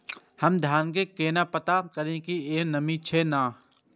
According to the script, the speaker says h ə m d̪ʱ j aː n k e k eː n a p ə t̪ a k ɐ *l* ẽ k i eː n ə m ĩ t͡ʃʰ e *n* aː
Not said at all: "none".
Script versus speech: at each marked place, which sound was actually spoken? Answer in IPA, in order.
ɾ, n

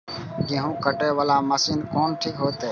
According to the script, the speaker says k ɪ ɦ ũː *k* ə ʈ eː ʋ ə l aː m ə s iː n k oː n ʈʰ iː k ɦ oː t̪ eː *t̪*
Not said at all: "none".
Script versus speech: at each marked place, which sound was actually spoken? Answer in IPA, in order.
k, none

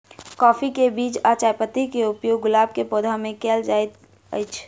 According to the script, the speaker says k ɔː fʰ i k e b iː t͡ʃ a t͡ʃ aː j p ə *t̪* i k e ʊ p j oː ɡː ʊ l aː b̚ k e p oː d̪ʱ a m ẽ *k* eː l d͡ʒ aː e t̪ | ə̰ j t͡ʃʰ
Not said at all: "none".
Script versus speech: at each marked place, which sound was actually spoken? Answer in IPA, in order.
t̪, k

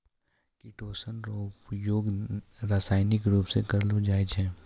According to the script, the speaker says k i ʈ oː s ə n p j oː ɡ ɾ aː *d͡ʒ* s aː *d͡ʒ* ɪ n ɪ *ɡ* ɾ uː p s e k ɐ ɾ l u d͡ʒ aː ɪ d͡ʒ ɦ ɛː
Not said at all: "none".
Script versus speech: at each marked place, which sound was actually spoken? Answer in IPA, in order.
none, none, k

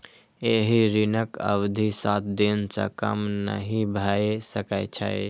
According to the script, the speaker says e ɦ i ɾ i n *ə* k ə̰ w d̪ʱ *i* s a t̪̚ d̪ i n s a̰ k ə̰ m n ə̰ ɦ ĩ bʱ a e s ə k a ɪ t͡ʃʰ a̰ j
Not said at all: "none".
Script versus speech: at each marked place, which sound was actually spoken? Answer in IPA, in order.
ə, i

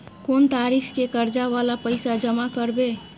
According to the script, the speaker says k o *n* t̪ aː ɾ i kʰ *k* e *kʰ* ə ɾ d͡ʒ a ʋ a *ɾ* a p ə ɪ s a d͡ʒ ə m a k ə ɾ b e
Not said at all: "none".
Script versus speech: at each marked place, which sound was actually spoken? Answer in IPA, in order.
n, k, k, l

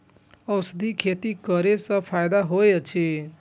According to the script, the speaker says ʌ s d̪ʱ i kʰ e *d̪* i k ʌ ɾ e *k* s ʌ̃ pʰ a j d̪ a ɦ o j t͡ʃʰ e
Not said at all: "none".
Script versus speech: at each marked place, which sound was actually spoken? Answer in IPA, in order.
t̪, none

